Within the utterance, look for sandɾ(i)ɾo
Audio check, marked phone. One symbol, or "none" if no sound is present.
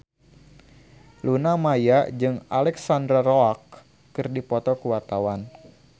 a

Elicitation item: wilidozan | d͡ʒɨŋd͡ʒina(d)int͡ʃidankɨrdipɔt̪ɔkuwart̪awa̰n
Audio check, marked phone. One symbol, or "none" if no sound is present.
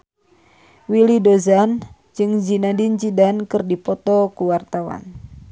d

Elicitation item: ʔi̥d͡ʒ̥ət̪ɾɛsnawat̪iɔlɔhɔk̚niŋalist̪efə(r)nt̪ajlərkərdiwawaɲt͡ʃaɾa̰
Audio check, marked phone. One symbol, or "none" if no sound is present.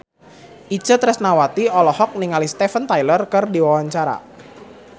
none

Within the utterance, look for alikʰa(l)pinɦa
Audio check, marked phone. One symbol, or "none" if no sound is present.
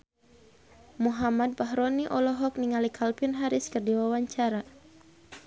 l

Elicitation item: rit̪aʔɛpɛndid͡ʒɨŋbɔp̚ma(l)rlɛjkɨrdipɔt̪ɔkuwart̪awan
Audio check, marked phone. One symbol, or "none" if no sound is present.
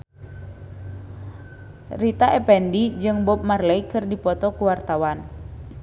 none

